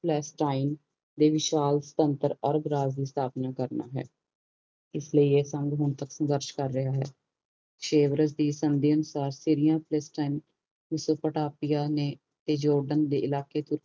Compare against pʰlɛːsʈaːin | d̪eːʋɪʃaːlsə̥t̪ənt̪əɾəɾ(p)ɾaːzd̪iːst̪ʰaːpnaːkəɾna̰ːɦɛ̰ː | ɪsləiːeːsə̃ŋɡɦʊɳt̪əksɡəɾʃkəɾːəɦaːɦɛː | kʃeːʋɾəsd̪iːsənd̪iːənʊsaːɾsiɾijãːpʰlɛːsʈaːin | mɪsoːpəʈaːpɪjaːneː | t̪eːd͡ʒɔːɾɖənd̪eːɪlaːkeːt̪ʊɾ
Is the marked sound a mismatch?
yes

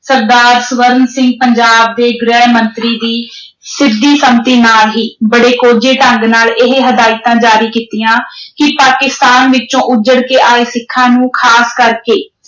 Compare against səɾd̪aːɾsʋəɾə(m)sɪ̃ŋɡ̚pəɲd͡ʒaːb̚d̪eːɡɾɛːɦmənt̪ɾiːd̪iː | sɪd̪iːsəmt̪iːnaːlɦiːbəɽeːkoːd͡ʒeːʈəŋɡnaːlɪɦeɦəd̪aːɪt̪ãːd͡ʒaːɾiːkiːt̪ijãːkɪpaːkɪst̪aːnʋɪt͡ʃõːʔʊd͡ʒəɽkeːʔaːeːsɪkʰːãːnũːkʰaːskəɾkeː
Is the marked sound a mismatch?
yes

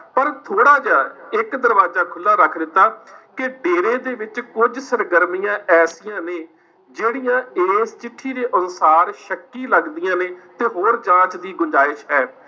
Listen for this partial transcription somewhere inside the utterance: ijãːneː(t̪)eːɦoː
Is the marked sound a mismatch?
no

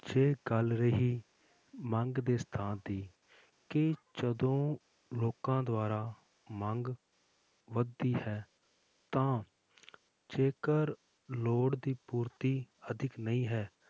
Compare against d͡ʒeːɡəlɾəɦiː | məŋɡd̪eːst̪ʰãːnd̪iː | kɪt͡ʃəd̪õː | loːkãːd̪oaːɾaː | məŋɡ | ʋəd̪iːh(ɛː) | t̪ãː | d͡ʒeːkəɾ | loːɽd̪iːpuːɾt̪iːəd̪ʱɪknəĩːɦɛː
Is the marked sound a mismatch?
no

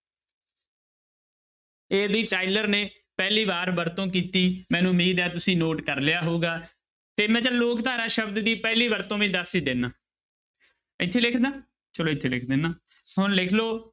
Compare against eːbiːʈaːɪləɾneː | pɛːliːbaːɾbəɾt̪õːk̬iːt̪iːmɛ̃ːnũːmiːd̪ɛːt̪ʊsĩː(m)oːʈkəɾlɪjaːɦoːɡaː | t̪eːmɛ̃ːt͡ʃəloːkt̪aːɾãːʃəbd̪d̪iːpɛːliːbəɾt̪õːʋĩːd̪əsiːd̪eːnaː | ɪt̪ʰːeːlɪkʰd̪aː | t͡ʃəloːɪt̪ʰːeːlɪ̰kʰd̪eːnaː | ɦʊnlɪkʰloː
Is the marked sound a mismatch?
yes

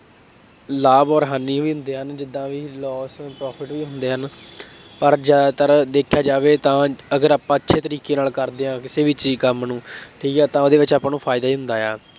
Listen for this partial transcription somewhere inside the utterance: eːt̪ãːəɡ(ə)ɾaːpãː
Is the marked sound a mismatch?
no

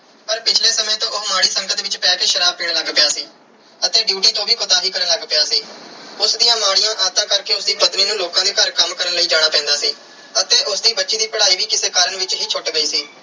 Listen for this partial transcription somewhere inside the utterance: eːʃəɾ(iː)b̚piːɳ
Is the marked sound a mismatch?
yes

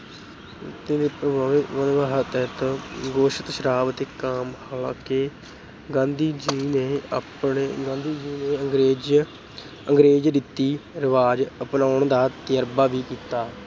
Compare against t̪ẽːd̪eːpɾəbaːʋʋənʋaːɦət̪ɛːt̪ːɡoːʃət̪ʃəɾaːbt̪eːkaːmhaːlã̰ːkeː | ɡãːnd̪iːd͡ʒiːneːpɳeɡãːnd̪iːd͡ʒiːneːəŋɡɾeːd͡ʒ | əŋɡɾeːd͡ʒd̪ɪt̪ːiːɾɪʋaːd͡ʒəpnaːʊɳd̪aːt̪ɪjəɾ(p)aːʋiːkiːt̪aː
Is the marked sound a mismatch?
yes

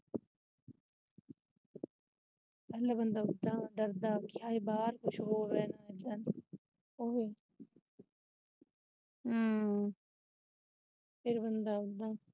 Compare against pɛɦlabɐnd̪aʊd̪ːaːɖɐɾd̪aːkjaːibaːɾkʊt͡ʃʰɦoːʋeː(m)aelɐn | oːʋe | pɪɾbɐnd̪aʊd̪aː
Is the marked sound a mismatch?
yes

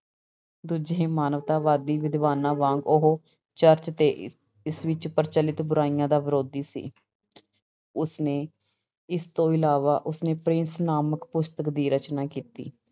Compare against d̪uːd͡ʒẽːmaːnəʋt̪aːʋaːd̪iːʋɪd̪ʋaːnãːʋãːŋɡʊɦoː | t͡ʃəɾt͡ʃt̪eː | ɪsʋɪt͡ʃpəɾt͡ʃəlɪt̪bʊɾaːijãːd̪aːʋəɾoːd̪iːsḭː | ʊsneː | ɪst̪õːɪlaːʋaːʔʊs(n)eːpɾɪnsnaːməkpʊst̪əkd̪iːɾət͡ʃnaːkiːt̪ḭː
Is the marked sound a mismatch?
no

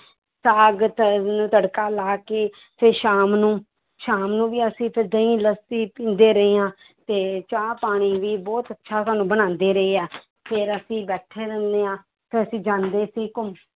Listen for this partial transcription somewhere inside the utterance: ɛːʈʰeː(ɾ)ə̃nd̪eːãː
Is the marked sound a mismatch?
no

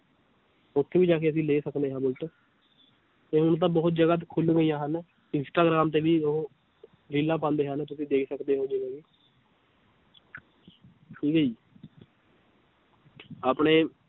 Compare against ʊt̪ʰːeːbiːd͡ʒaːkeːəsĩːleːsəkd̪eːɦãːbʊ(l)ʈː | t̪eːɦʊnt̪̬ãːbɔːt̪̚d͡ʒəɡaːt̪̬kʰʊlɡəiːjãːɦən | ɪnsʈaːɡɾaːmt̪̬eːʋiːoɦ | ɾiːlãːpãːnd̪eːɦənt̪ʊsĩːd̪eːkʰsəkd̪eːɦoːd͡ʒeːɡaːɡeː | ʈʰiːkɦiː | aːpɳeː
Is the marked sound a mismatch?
no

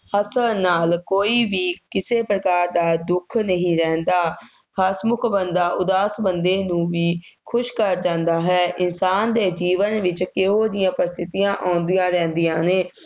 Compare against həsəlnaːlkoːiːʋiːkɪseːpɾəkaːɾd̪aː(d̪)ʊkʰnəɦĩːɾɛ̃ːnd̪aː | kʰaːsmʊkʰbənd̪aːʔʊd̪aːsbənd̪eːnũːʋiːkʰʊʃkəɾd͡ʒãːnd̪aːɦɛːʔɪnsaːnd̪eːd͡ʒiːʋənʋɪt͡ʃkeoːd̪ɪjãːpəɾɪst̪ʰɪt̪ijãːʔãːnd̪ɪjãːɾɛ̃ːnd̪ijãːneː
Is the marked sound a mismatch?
no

